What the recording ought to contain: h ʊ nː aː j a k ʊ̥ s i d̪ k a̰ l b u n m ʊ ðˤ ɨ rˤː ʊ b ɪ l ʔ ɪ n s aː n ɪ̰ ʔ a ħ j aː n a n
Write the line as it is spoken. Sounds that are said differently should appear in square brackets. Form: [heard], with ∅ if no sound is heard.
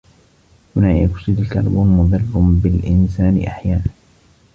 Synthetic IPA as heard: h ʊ [n] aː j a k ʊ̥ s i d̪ k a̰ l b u n m ʊ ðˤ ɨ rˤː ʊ b ɪ l ʔ ɪ n s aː n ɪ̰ ʔ a ħ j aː n a n